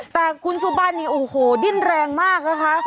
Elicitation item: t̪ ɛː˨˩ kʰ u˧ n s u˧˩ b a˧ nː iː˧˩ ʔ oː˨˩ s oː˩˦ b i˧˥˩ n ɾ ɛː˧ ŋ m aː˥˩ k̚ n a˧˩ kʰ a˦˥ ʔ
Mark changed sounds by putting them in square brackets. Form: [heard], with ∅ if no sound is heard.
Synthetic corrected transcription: t̪ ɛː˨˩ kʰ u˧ n s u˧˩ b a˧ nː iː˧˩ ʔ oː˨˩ [h] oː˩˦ [d] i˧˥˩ n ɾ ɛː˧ ŋ m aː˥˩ k̚ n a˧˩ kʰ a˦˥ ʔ